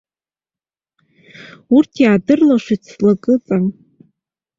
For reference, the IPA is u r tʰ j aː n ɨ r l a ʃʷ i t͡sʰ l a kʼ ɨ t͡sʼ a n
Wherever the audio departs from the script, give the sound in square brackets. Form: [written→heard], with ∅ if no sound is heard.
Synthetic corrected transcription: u r tʰ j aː [n→d] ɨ r l a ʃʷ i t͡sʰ l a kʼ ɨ t͡sʼ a n

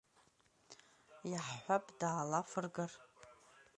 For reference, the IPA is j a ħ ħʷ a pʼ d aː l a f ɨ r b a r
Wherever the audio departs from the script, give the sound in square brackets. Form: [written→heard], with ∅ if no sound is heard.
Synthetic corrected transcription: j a ħ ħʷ a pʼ d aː l a f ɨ r [b→ɡ] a r

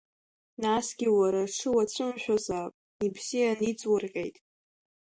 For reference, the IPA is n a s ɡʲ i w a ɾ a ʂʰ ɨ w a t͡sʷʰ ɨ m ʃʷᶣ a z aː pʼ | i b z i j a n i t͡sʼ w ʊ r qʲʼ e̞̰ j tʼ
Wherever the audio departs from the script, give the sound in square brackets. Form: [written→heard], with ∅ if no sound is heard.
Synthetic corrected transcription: n a s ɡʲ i w a ɾ a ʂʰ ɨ w a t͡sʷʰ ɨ m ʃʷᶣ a z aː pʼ | i b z i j a n i t͡sʼ w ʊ r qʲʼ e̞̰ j tʼ

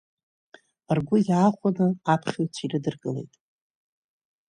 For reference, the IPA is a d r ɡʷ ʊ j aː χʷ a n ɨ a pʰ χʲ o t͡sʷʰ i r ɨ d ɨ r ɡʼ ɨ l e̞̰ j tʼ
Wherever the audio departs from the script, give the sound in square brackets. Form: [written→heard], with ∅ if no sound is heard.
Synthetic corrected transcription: a [d→∅] r ɡʷ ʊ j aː χʷ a n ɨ a pʰ χʲ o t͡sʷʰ i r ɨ d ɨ r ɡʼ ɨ l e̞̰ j tʼ

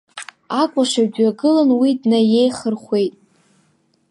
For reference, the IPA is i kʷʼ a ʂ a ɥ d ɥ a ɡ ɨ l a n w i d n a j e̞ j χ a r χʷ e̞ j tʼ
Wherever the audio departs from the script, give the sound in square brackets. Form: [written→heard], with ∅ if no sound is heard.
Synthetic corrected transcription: [i→a] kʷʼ a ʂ a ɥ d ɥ a ɡ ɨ l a n w i d n a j e̞ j χ [a→ə] r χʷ e̞ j tʼ

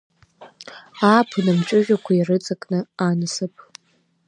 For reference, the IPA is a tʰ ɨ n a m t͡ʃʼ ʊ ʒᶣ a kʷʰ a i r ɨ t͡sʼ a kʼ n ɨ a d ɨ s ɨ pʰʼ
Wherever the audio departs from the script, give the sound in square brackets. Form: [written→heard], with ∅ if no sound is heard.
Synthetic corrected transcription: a [tʰ→pʰ] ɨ n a m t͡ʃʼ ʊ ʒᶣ a kʷʰ a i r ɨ t͡sʼ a kʼ n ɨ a [d→n] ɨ s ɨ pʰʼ

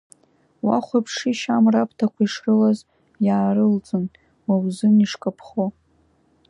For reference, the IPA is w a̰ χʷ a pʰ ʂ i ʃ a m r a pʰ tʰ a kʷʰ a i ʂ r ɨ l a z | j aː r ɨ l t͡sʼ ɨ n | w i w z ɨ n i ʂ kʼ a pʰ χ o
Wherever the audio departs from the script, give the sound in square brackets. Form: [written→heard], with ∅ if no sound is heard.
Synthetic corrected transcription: w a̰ χʷ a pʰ ʂ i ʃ a m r a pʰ tʰ a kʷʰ a i ʂ r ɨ l a z | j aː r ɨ l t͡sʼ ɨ n | w [i→a] w z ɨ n i ʂ kʼ a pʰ χ o

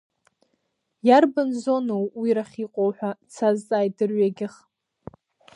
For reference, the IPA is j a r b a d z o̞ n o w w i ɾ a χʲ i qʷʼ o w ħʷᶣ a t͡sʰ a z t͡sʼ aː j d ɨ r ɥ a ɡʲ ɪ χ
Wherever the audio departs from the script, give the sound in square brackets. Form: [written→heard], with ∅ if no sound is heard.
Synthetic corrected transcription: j a r b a [d→n] z o̞ n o w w i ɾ a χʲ i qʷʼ o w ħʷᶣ a t͡sʰ a z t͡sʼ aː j d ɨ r ɥ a ɡʲ ɪ χ

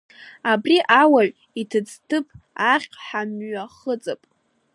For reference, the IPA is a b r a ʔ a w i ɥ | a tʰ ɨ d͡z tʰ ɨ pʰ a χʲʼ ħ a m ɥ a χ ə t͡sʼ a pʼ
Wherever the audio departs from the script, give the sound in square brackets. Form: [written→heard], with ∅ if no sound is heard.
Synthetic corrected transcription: a b r [a→i] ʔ a w [i→a] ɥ | [a→i] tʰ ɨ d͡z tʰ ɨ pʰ a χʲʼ ħ a m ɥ a χ ə t͡sʼ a pʼ

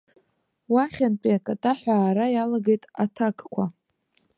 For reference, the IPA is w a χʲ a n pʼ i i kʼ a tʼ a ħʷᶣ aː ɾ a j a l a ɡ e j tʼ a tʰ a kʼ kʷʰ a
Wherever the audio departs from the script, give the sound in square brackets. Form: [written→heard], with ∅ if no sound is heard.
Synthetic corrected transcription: w a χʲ a n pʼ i [i→a] kʼ a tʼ a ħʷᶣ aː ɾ a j a l a ɡ e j tʼ a tʰ a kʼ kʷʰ a

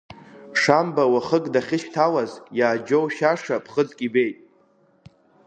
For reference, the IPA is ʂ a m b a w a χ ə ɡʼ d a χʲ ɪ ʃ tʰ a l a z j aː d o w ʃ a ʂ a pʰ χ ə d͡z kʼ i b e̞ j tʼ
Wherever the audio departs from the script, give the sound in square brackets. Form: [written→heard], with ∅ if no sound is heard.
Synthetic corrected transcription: ʂ a m b a w a χ ə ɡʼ d a χʲ ɪ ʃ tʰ a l a z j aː [d→d͡ʒ] o w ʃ a ʂ a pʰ χ ə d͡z kʼ i b e̞ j tʼ

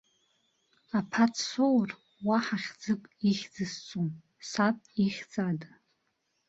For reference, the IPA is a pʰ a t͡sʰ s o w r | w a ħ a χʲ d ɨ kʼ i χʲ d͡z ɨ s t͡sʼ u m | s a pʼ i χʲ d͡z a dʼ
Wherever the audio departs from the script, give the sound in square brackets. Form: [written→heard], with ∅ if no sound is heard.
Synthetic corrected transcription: a pʰ a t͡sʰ s o w r | w a ħ a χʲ [d→d͡z] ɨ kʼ i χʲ d͡z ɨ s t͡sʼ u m | s a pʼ i χʲ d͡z a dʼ

